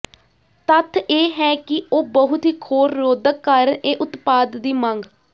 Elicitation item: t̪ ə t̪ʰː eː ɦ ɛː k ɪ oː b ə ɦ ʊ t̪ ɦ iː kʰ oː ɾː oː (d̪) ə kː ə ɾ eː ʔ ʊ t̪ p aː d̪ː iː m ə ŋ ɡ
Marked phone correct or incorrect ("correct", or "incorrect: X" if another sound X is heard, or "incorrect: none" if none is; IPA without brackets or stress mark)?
correct